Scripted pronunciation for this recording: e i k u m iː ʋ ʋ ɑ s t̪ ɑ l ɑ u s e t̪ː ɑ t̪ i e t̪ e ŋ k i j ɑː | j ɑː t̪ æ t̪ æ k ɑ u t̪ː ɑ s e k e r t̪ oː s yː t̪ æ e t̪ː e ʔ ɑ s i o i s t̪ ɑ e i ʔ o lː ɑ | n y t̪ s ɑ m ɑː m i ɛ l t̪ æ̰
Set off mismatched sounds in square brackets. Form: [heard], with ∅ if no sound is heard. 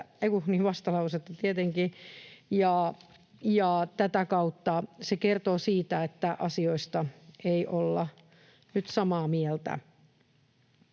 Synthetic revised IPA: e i k u [n] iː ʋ ʋ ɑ s t̪ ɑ l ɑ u s e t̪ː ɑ t̪ i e t̪ e ŋ k i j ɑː | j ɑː t̪ æ t̪ æ k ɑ u t̪ː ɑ s e k e r t̪ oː s [iː] t̪ æ e t̪ː [æ] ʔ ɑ s i o i s t̪ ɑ e i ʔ o lː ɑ | n y t̪ s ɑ m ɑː m i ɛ l t̪ æ̰